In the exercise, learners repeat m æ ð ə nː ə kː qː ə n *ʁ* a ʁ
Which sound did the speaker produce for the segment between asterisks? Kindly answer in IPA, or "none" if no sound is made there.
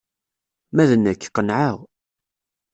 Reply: ʕ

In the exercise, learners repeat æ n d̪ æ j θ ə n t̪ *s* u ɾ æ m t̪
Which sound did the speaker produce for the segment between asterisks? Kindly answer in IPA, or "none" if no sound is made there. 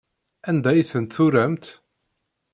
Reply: θ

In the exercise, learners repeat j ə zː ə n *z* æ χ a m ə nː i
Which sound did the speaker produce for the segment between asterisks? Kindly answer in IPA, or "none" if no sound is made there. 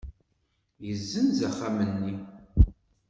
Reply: z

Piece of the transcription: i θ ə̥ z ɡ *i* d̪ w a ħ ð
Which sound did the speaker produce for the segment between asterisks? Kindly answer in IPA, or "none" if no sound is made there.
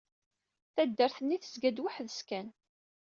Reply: æ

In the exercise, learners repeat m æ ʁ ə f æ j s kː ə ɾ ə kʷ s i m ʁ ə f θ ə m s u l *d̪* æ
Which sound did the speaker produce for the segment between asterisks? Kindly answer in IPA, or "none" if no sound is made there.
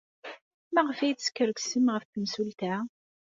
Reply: t̪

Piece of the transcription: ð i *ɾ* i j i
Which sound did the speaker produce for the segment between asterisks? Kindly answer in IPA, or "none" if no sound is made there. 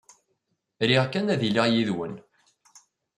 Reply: l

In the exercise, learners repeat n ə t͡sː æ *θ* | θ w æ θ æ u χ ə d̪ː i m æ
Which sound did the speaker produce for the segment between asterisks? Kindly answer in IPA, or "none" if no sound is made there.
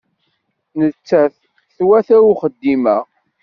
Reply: θ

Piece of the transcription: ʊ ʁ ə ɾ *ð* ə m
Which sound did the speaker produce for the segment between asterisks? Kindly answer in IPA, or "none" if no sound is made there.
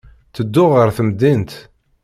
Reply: θ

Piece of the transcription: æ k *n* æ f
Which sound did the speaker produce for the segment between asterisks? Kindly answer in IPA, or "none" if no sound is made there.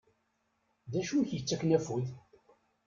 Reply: n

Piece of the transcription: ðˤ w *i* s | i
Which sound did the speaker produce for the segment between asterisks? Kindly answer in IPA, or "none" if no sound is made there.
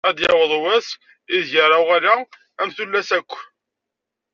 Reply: æ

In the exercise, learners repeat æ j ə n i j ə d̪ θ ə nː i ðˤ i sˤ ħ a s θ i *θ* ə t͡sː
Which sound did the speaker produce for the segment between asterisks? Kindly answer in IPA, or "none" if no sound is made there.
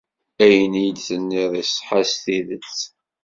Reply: ð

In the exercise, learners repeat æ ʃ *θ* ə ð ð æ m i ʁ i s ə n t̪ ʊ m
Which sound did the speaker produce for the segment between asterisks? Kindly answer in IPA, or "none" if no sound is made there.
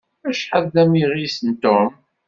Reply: ħ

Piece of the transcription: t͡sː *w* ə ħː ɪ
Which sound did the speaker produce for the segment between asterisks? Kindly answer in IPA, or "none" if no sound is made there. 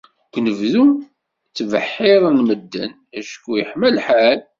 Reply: v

